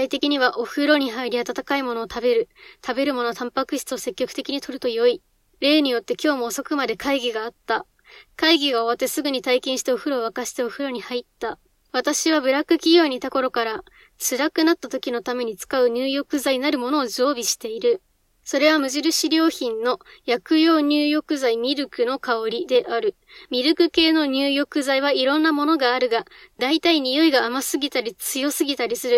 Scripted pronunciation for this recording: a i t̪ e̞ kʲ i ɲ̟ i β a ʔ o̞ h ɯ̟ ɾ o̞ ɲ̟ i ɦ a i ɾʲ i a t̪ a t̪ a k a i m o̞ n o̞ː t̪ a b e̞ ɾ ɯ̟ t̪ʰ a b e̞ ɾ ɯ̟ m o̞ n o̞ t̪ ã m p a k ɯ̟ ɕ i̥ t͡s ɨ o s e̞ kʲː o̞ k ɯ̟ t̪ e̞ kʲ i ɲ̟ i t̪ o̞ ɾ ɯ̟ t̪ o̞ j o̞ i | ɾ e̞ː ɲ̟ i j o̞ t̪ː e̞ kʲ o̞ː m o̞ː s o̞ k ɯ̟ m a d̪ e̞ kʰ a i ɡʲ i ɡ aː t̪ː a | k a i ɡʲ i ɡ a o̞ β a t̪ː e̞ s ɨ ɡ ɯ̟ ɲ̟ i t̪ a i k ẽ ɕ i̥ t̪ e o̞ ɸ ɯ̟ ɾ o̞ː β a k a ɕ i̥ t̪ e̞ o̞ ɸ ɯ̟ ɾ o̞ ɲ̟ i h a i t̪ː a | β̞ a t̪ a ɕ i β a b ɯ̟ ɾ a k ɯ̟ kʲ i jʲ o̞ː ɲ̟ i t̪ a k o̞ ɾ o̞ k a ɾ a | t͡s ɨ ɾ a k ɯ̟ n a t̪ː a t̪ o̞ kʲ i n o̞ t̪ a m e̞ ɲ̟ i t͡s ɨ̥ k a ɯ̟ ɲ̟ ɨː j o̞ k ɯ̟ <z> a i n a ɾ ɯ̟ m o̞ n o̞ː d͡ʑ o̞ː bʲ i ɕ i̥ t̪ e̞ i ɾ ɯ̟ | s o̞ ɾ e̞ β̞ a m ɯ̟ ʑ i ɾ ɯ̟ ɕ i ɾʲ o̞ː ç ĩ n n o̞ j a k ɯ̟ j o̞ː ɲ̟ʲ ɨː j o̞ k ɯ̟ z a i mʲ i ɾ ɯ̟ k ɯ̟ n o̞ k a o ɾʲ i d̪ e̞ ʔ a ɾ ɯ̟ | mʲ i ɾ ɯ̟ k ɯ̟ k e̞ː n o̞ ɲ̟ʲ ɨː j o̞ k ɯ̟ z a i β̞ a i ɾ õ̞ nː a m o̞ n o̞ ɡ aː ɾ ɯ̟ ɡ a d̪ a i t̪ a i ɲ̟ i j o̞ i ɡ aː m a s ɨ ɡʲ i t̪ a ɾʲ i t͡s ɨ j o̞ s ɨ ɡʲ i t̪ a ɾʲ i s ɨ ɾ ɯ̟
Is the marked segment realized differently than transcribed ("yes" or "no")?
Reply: no